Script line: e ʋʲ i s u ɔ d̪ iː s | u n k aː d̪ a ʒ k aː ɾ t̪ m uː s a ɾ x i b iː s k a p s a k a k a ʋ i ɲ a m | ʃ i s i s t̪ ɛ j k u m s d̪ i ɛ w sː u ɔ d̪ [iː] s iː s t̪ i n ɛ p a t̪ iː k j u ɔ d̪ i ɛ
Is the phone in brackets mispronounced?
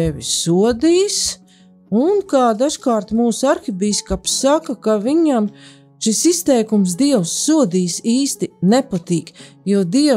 no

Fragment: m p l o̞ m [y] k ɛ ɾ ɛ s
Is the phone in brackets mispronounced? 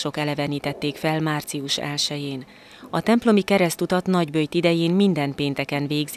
yes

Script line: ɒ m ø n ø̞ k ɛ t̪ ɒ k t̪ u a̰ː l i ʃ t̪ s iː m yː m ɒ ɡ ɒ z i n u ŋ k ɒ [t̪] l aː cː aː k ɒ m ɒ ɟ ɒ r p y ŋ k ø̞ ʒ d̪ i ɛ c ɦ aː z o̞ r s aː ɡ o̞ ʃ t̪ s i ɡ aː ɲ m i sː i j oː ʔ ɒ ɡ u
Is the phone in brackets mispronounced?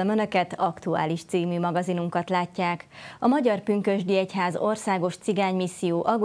no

